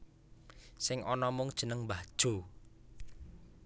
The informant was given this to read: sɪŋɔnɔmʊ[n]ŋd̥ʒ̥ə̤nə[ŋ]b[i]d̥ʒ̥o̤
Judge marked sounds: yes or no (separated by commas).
no, yes, no